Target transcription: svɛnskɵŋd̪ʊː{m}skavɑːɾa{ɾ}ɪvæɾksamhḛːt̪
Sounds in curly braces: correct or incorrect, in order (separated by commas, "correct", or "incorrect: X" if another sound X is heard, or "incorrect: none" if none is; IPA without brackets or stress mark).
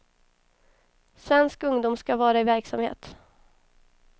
correct, incorrect: none